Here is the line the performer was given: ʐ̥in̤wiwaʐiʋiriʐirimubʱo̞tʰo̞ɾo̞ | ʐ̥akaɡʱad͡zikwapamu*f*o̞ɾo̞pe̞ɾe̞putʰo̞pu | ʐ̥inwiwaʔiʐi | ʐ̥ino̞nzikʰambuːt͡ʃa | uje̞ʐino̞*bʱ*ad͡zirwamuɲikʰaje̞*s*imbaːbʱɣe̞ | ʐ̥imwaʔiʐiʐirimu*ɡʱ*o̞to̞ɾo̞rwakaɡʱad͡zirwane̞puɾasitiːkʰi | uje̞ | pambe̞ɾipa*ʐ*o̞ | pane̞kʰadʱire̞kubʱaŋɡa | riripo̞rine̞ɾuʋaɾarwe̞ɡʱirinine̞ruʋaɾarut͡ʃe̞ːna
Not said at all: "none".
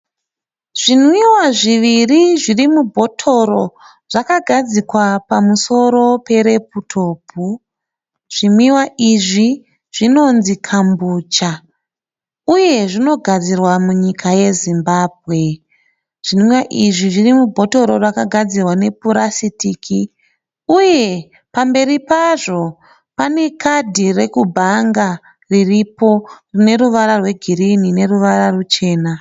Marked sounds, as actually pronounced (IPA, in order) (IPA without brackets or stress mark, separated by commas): s, ɡʱ, z, bʱ, ʐ